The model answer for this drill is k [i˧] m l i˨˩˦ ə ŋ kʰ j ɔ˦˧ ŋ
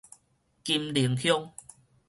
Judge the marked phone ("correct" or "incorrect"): correct